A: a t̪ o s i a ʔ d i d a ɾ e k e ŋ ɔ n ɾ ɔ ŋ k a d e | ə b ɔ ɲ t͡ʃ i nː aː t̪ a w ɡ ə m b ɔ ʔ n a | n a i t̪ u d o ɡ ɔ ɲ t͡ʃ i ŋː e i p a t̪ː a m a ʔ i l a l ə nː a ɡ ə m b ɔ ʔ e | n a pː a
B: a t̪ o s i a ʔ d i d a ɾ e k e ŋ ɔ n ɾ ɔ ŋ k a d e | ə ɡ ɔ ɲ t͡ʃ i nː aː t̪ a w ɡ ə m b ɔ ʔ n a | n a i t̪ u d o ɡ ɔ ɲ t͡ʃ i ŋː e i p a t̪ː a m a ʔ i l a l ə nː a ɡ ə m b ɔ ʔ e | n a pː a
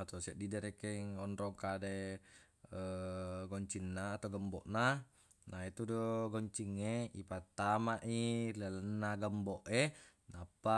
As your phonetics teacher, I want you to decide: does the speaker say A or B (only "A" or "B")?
B